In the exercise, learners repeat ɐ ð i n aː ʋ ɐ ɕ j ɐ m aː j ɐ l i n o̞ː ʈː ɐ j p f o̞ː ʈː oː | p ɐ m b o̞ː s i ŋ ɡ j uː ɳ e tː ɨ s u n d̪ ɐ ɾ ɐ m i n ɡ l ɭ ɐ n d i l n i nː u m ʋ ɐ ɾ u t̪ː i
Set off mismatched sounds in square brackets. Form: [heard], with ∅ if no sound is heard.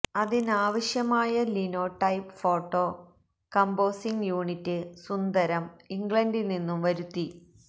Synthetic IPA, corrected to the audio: ɐ ð i n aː ʋ ɐ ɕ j ɐ m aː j ɐ l i n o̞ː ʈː ɐ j p f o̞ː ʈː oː | [k] ɐ m b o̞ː s i ŋ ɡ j uː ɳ [i] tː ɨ s u n d̪ ɐ ɾ ɐ m i [ŋ] ɡ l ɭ ɐ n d i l n i nː u m ʋ ɐ ɾ u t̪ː i